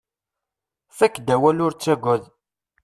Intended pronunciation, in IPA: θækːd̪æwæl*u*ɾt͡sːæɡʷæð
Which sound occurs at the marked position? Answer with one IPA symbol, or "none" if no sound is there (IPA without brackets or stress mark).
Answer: ʊ